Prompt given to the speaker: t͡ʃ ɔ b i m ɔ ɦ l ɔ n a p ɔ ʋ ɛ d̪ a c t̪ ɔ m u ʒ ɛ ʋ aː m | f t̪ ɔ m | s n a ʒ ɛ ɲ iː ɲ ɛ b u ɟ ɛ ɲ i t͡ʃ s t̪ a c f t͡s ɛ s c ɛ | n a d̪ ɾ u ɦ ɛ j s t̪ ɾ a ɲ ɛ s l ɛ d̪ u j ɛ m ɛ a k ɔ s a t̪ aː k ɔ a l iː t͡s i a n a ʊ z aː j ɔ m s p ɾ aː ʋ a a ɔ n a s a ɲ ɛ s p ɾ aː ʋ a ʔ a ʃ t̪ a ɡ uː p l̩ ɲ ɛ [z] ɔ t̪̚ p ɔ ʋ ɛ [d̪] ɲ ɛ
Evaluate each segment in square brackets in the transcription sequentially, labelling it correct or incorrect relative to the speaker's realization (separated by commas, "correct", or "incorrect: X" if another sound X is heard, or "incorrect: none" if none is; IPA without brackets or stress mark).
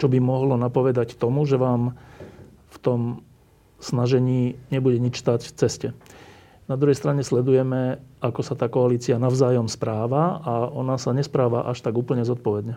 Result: correct, correct